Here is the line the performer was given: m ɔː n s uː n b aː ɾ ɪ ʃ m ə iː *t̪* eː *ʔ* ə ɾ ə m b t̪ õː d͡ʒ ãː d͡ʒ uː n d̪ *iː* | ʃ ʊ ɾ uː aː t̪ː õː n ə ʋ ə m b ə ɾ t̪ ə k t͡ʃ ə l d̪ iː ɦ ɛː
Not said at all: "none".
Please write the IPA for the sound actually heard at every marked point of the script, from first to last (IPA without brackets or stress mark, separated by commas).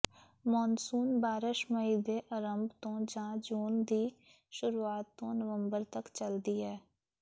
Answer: d̪, ʔ, iː